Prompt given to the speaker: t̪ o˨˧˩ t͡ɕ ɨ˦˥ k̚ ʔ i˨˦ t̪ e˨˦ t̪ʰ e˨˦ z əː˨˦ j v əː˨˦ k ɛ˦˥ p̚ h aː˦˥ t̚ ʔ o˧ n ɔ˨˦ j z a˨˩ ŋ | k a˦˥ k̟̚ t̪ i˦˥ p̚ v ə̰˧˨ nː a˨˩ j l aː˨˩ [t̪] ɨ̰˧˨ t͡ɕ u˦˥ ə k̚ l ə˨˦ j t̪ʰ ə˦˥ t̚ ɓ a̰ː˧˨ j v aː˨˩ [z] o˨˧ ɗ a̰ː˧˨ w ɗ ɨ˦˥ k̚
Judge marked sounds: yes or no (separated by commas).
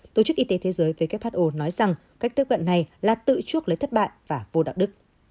yes, no